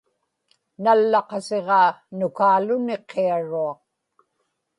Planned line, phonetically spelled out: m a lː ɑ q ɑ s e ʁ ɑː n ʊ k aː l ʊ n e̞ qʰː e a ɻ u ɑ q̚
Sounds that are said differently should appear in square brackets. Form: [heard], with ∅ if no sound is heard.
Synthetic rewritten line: [n] a lː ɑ q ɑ s e ʁ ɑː n ʊ k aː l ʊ n e̞ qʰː e a ɻ u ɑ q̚